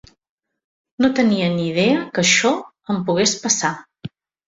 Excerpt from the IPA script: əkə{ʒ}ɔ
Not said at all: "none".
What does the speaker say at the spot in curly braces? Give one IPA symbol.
ʃ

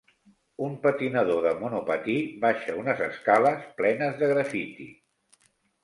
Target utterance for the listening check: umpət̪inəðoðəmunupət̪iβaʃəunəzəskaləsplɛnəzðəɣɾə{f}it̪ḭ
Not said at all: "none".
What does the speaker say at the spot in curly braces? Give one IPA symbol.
f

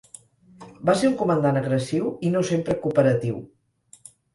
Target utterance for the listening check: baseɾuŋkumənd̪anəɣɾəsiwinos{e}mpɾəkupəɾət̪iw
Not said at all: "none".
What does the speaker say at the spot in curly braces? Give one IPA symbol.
e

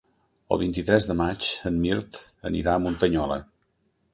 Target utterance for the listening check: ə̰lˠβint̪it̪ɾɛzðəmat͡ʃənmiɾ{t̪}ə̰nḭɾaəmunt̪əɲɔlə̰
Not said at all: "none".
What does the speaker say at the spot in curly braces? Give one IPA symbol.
t̪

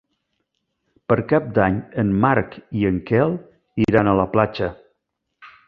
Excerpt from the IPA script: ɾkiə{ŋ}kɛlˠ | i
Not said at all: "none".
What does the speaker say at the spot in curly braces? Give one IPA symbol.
ŋ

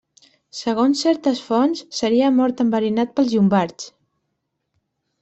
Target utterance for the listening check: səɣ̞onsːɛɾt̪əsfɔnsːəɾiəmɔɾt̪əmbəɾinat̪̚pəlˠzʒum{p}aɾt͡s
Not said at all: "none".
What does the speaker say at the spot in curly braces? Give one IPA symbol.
b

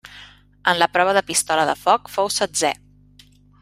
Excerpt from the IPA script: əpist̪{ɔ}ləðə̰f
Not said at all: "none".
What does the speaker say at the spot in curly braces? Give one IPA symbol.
ɔ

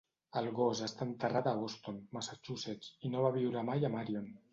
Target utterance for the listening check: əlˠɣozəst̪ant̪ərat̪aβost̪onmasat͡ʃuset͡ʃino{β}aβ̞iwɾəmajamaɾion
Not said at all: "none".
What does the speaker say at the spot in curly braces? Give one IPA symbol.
β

